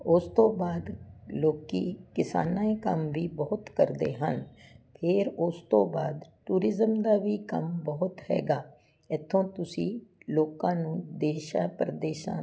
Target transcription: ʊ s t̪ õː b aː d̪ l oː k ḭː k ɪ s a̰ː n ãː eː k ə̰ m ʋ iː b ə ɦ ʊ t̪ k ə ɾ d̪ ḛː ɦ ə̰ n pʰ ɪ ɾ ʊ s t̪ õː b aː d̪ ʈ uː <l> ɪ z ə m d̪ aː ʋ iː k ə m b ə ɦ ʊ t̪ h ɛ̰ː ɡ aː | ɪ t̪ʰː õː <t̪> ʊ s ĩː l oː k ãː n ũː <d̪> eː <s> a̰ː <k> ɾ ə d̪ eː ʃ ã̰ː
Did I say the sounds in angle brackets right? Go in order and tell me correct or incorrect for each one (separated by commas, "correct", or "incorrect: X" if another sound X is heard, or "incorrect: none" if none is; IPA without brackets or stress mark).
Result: incorrect: ɾ, correct, correct, incorrect: ʃ, incorrect: p